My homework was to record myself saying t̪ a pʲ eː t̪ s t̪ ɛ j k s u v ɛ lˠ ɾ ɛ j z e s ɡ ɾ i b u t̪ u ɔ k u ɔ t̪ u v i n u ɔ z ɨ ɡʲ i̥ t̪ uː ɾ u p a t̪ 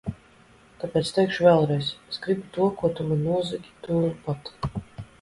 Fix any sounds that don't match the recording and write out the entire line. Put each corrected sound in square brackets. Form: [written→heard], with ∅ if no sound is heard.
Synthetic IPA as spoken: t̪ a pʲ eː t̪ s t̪ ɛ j k [s→ʃ] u v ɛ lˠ ɾ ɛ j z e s ɡ ɾ i b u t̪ u ɔ k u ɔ t̪ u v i n u ɔ z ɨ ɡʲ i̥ t̪ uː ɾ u p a t̪

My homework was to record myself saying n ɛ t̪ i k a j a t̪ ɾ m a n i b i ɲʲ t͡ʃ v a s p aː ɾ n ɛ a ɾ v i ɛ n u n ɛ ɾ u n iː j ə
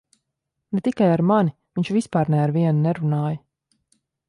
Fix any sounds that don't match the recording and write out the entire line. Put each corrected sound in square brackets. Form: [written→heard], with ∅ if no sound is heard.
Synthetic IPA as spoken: n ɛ t̪ i k a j a [t̪→∅] ɾ m a n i [b→v] i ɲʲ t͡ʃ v [a→i] s p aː ɾ n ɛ a ɾ v i ɛ n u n ɛ ɾ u n [iː→aː] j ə

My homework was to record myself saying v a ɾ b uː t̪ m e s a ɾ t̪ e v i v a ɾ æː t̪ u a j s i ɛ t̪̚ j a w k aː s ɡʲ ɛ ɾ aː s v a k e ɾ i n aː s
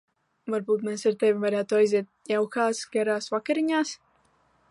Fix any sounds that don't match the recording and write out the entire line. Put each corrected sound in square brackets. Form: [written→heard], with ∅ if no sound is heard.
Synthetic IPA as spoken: v a ɾ b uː t̪ m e s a ɾ t̪ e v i v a ɾ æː t̪ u a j [s→z] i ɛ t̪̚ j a w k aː s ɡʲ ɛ ɾ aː s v a k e ɾ i [n→ɲ] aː s

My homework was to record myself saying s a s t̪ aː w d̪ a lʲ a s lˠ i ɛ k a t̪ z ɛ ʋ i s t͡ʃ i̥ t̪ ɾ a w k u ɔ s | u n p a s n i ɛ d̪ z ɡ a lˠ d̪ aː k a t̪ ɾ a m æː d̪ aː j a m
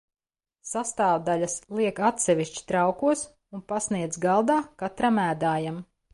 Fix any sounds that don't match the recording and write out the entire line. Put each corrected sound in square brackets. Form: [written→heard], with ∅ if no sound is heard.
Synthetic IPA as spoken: s a s t̪ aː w d̪ a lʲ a s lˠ i ɛ k a t̪ [z→s] ɛ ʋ i [s→ʃ] t͡ʃ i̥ t̪ ɾ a w k u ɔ s | u n p a s n i ɛ d̪ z ɡ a lˠ d̪ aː k a t̪ ɾ a m æː d̪ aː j a m

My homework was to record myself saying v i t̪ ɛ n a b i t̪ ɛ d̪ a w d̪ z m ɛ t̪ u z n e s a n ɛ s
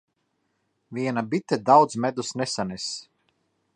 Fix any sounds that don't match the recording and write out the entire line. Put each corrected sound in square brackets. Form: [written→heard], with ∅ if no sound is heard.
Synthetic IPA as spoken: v i [t̪→∅] ɛ n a b i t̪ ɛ d̪ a w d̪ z m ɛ [t̪→d̪] u [z→s] n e s a n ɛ s

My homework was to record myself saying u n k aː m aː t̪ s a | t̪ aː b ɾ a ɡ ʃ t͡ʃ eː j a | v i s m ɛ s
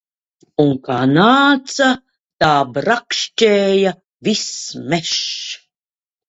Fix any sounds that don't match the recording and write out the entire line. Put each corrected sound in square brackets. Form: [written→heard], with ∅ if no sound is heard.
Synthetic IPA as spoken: u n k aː [m→n] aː t̪ s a | t̪ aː b ɾ a [ɡ→k] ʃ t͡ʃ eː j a | v i s m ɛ [s→ʃ]

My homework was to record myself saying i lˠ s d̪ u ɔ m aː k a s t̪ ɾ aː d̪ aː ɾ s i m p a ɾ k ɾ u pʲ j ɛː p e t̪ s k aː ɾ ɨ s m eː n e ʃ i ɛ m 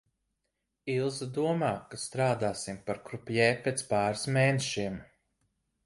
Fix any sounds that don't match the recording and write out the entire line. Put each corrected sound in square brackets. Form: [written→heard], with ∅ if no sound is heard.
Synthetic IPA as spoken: i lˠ [s→z] d̪ u ɔ m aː k a s t̪ ɾ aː d̪ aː [ɾ→∅] s i m p a ɾ k ɾ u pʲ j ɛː p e t̪ s [k→p] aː ɾ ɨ s m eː n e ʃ i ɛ m

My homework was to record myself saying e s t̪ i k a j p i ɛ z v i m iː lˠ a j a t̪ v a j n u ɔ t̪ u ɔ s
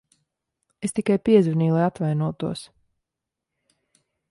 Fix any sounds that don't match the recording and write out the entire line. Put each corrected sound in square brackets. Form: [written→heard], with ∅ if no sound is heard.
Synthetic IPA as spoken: e s t̪ i k a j p i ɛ z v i [m→n] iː lˠ a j a t̪ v a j n u ɔ t̪ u ɔ s

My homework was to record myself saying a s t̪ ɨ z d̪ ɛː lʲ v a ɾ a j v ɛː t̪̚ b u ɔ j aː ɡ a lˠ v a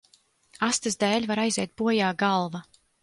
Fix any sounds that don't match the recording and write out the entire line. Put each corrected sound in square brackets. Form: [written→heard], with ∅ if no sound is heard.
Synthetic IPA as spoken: a s t̪ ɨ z d̪ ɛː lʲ v a ɾ a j [v→z] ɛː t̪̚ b u ɔ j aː ɡ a lˠ v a

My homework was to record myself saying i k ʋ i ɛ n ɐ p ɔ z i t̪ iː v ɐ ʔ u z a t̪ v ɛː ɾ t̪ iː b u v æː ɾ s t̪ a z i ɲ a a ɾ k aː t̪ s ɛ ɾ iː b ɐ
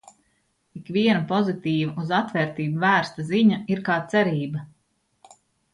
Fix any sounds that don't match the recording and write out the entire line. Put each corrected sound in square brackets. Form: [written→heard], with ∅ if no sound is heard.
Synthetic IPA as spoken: i k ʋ i ɛ n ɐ p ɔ z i t̪ iː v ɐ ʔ u z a t̪ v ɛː ɾ t̪ iː b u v æː ɾ s t̪ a z i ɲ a [a→i] ɾ k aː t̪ s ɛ ɾ iː b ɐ

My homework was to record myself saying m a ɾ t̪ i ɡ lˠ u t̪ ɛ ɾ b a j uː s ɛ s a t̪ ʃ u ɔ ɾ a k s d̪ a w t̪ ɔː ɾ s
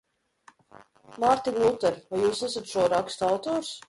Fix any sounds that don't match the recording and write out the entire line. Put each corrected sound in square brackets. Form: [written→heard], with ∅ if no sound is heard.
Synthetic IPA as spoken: m a ɾ t̪ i ɡ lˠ u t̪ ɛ ɾ [b→v] a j uː s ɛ s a t̪ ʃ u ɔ ɾ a k s [d̪→t̪] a w t̪ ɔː ɾ s

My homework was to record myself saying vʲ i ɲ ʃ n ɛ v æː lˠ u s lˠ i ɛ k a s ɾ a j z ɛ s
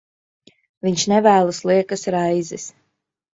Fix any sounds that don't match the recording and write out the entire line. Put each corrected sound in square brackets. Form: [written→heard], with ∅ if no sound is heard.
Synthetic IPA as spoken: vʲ i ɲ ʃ n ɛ v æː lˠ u s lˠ i ɛ k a s ɾ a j z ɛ s

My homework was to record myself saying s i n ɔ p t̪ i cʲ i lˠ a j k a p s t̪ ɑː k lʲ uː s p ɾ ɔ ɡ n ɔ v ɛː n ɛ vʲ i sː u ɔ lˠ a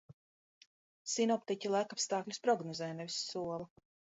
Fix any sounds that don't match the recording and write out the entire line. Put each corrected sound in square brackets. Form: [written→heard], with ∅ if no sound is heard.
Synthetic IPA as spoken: s i n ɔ p t̪ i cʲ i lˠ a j k a p s t̪ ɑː k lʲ [uː→u] s p ɾ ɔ ɡ n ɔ [v→z] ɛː n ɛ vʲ i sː u ɔ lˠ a

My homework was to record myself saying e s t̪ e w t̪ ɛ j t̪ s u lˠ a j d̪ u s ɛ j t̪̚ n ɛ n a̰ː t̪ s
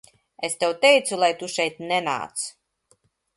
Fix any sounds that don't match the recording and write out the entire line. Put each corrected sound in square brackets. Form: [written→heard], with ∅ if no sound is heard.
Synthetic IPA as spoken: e s t̪ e w t̪ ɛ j t̪ s u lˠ a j [d̪→t̪] u [s→ʃ] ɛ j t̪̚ n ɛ n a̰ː t̪ s

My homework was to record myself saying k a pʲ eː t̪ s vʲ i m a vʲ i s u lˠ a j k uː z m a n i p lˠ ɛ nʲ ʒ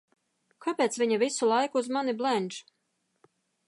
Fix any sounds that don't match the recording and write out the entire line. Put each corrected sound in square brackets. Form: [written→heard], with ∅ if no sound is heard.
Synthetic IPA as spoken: k a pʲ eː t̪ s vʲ i [m→ɲ] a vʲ i s u lˠ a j k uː z m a n i [p→b] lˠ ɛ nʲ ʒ

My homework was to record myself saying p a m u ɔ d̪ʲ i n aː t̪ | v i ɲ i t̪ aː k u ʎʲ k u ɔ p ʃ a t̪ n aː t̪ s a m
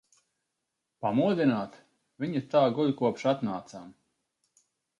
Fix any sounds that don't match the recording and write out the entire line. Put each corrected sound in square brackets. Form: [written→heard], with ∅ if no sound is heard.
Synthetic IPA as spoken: p a m u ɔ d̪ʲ i n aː t̪ | v i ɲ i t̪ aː [k→ɡ] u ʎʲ k u ɔ p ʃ a t̪ n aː t̪ s a m

